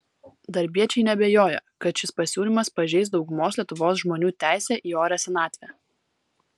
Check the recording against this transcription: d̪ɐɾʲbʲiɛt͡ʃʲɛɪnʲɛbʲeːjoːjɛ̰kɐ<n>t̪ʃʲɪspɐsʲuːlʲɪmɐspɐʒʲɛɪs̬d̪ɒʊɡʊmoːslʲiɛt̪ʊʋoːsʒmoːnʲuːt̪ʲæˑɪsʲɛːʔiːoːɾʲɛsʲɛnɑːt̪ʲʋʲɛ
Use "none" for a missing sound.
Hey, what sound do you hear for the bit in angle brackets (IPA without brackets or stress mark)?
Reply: none